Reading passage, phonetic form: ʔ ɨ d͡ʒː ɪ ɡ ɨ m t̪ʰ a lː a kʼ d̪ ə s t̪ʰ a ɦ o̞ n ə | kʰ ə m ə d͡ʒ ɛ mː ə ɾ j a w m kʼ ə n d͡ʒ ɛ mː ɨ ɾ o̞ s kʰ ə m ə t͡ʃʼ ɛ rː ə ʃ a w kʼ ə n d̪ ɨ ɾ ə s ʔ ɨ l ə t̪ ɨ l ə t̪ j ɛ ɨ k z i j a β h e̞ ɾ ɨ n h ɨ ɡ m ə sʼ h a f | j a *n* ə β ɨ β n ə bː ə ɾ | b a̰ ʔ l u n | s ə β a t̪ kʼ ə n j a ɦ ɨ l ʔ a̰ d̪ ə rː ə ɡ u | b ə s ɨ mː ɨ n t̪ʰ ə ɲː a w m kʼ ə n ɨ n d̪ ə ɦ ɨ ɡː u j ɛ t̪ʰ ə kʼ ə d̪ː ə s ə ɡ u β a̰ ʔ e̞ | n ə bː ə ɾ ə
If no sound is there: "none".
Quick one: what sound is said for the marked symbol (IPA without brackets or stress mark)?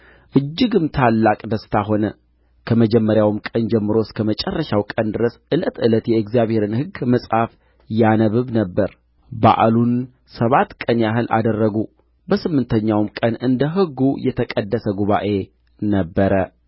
n